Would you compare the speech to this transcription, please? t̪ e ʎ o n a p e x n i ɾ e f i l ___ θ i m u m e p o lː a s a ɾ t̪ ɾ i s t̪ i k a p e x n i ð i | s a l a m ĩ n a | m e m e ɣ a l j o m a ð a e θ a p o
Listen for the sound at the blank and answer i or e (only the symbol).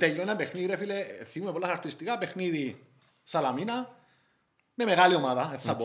e